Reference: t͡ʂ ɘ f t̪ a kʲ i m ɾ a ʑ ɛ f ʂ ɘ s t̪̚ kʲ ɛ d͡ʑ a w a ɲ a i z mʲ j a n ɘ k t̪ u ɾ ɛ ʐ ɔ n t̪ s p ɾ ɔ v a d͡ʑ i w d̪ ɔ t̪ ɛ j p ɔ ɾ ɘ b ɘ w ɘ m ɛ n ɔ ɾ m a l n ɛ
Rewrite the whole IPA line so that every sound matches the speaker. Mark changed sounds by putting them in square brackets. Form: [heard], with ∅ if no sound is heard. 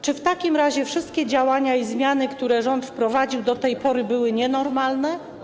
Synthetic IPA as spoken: t͡ʂ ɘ f t̪ a kʲ i m ɾ a ʑ ɛ f ʂ ɘ s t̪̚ kʲ ɛ d͡ʑ a w a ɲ a i z mʲ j a n ɘ k t̪ u ɾ ɛ ʐ ɔ n t̪ [f] p ɾ ɔ v a d͡ʑ i w d̪ ɔ t̪ ɛ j p ɔ ɾ ɘ b ɘ w ɘ [ɲ] ɛ n ɔ ɾ m a l n ɛ